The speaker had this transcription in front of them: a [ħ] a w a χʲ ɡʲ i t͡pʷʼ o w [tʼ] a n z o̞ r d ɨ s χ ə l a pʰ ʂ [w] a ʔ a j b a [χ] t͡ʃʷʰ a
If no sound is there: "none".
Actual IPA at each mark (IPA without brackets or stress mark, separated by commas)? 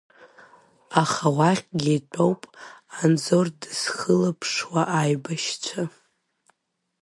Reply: χ, pʼ, w, ʃ